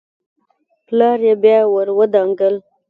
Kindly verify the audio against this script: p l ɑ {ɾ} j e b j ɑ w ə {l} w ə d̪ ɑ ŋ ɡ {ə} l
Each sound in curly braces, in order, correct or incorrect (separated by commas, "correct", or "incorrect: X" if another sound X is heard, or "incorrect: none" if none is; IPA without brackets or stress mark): correct, incorrect: ɾ, correct